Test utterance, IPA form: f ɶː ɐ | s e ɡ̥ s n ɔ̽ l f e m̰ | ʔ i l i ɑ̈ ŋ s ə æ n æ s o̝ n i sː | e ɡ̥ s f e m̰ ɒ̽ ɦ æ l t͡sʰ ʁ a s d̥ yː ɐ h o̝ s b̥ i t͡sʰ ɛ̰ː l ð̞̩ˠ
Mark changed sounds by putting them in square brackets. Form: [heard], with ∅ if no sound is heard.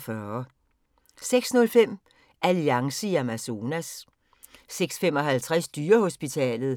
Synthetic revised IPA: f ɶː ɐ | s e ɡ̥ s n ɔ̽ l f e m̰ | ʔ [æ] l i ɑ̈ ŋ s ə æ [m] æ s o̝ n [æ] sː | e ɡ̥ s f e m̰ ɒ̽ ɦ æ l t͡sʰ ʁ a s d̥ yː ɐ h o̝ s b̥ i t͡sʰ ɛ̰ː l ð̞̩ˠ